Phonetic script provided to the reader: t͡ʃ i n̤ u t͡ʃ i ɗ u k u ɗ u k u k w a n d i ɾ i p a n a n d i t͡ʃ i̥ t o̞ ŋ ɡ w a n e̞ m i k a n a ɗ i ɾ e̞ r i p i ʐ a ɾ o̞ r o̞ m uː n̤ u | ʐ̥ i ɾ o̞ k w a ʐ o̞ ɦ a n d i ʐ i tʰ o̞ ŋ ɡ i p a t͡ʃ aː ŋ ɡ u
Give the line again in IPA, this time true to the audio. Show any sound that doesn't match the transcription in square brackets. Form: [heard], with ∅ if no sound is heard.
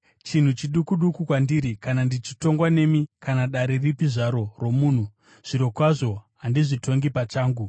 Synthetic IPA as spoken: t͡ʃ i n̤ u t͡ʃ i ɗ u k u ɗ u k u k w a n d i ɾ i [k] a n a n d i t͡ʃ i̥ t o̞ ŋ ɡ w a n e̞ m i k a n a ɗ [a] ɾ e̞ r i p i ʐ a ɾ o̞ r o̞ m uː n̤ u | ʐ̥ i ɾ o̞ k w a ʐ o̞ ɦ a n d i ʐ i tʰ o̞ ŋ ɡ i p a t͡ʃ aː ŋ ɡ u